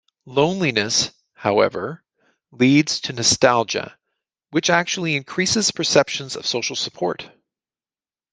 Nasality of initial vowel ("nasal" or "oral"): nasal